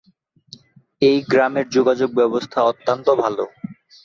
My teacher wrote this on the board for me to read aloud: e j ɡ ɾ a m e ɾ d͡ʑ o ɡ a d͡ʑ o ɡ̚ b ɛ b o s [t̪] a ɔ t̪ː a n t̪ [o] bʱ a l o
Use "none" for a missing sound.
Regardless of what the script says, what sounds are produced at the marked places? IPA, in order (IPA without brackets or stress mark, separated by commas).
t̪ʰ, o